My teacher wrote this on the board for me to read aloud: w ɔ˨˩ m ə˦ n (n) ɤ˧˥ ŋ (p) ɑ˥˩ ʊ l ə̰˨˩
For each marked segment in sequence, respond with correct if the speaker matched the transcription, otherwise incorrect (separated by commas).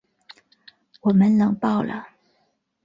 correct, correct